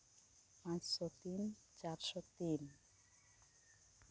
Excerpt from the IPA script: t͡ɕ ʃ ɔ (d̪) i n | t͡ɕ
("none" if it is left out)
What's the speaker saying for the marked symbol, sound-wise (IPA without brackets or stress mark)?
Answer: t̪